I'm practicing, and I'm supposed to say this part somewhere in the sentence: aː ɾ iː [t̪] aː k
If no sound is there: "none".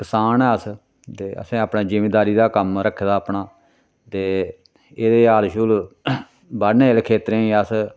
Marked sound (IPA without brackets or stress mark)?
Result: d̪